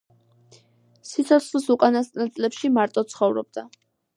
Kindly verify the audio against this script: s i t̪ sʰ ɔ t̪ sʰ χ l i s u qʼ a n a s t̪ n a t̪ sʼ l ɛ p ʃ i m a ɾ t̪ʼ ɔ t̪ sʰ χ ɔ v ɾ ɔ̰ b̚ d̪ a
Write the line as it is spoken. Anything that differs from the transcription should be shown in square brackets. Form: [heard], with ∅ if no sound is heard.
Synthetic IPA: s i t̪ sʰ ɔ t̪ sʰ χ l i s u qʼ a n a s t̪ n a t̪ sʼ l ɛ p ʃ i m a ɾ t̪ʼ ɔ t̪ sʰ χ ɔ v ɾ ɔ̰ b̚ d̪ a